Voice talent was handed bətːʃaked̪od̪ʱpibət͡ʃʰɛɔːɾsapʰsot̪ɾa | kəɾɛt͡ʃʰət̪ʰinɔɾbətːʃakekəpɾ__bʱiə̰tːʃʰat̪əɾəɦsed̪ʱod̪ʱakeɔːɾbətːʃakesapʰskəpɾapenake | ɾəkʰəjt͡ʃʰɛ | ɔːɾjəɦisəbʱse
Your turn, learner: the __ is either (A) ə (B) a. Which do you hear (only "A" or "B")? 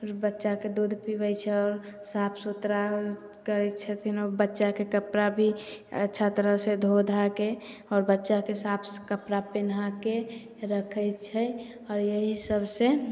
B